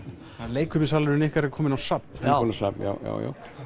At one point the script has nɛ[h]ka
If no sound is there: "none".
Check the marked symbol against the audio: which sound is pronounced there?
h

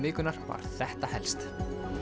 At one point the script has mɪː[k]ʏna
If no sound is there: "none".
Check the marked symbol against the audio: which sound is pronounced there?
k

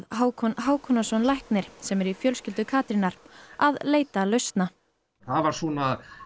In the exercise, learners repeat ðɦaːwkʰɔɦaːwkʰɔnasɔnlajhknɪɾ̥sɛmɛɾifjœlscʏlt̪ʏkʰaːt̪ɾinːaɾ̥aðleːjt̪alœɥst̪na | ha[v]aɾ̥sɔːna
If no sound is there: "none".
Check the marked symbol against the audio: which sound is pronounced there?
v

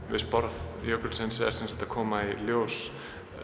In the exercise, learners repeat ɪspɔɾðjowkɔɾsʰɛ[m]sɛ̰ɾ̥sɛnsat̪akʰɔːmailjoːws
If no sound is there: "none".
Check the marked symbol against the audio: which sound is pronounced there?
n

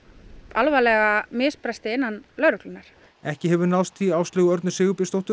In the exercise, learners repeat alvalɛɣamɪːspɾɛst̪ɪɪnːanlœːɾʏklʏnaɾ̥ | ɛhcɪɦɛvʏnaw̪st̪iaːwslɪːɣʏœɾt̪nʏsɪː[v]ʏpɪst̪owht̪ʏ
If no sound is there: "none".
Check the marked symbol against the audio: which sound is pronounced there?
ɣ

